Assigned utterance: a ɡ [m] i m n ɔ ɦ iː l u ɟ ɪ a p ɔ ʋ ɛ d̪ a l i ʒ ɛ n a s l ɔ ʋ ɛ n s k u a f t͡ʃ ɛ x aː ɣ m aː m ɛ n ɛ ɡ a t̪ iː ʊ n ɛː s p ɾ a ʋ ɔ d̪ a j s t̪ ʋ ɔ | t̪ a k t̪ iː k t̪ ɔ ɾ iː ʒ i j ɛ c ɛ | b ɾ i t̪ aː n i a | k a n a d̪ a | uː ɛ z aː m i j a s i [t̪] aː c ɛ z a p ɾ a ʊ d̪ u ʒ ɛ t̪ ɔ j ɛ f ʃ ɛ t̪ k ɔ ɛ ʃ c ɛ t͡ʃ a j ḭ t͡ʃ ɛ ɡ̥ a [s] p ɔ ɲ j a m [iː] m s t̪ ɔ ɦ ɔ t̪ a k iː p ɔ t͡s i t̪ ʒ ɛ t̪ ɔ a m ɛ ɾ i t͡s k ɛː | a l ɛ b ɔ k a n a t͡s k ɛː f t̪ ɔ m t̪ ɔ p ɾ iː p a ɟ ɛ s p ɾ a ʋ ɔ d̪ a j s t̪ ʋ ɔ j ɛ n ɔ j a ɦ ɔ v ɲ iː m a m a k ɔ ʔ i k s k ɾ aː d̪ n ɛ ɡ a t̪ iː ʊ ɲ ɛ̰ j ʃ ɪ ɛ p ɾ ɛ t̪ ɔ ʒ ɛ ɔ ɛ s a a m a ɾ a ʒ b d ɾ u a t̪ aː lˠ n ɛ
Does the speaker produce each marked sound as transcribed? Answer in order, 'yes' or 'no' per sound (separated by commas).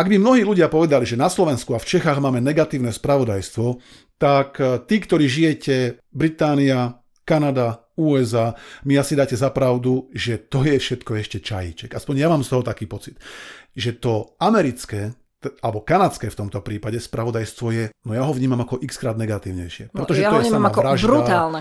no, no, yes, no